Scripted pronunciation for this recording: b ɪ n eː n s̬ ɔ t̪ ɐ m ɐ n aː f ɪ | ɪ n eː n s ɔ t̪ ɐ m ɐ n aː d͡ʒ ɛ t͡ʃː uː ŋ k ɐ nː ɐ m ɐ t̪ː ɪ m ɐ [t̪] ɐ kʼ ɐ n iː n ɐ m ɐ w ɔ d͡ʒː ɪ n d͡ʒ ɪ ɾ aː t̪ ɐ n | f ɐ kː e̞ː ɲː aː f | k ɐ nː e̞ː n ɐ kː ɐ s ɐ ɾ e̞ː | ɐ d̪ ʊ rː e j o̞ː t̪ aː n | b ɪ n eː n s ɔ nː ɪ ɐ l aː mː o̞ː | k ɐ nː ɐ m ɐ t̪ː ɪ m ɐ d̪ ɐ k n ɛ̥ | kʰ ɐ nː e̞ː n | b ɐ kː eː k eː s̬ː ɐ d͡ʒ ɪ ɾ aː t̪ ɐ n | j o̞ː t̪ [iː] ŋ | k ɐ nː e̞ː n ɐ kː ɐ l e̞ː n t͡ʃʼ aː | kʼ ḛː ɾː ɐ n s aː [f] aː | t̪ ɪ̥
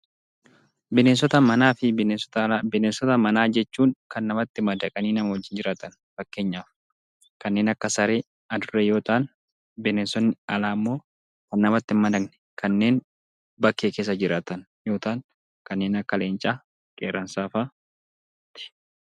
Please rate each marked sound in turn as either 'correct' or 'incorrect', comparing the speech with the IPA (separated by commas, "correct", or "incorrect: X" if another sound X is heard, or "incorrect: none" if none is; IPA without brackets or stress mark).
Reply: incorrect: d̪, incorrect: aː, correct